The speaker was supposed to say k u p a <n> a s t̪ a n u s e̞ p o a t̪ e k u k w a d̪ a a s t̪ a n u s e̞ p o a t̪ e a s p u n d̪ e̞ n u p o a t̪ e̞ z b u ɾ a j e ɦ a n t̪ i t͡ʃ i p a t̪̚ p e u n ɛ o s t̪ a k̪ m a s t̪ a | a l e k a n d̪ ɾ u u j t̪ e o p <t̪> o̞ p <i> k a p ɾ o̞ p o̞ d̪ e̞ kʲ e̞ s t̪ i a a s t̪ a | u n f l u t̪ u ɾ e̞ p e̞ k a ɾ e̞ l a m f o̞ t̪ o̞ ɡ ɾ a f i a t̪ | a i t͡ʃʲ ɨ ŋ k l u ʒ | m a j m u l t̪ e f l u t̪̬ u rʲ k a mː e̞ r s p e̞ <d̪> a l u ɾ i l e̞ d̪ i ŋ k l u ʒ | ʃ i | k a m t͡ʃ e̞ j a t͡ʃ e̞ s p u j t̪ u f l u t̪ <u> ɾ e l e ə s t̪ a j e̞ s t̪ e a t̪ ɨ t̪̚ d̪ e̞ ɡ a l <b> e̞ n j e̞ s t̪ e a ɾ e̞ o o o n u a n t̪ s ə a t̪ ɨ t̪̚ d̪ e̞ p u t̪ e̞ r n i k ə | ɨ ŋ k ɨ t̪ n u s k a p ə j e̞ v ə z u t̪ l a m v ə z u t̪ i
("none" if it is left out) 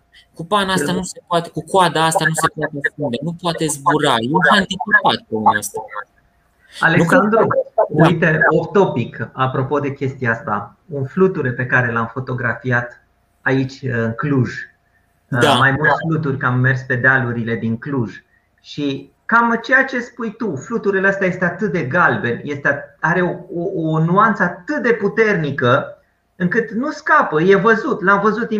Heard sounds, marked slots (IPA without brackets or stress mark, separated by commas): n, t̪, i, d̪, u, b